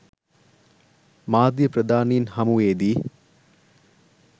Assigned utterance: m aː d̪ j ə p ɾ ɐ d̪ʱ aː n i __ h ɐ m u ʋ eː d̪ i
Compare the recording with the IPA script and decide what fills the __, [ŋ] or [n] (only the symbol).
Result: n